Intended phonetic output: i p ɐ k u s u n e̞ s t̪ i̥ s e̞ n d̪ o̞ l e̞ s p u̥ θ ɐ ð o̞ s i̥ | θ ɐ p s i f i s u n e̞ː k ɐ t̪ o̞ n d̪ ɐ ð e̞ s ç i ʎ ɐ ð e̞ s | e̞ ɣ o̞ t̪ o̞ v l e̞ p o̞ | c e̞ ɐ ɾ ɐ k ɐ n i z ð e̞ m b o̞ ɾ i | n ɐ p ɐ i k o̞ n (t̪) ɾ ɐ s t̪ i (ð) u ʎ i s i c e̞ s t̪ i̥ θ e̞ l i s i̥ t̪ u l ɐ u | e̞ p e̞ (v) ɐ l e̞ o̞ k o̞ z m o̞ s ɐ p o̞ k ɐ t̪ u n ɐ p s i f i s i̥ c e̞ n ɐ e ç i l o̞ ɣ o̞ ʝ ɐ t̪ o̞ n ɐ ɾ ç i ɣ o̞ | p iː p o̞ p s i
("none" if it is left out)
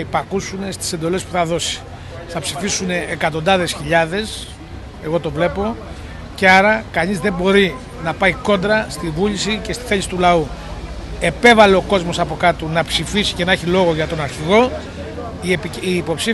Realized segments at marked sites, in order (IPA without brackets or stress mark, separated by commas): d̪, v, v